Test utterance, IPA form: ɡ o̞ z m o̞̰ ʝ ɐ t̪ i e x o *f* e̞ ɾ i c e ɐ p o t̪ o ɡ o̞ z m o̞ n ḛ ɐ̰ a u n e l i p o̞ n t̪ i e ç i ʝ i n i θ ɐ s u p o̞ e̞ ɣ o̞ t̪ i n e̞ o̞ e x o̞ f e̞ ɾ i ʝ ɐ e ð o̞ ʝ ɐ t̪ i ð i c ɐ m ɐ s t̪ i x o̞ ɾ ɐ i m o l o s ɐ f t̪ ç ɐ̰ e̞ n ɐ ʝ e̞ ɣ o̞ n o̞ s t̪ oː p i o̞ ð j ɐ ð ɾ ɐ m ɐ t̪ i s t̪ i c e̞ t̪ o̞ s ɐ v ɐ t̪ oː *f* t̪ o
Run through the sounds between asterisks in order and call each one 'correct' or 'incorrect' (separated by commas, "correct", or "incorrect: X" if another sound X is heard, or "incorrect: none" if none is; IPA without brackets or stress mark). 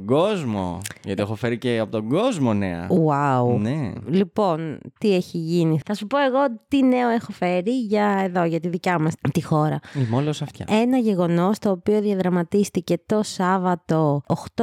correct, incorrect: x